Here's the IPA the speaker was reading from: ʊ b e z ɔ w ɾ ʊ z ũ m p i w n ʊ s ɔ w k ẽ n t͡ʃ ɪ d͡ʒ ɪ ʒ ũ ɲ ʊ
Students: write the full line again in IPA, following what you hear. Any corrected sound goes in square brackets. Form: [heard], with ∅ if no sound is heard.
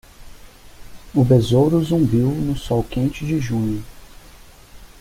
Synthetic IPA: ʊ b e z [o] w ɾ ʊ z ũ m [b] i w n ʊ s ɔ w k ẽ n t͡ʃ ɪ d͡ʒ ɪ ʒ ũ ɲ ʊ